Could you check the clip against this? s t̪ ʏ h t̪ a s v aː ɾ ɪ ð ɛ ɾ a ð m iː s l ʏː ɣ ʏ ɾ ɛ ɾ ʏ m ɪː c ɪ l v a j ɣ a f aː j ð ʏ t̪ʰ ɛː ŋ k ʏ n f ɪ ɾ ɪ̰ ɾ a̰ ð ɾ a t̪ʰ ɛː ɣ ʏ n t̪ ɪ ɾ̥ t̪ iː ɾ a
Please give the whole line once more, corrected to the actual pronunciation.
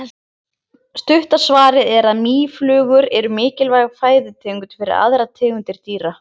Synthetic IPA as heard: s t̪ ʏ h t̪ a s v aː ɾ ɪ ð ɛ ɾ a ð m iː f l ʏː ɣ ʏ ɾ ɛ ɾ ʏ m ɪː c ɪ l v a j ɣ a f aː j ð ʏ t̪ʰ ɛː ŋ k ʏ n f ɪ ɾ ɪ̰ ɾ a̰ ð ɾ a t̪ʰ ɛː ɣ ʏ n t̪ ɪ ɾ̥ t̪ iː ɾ a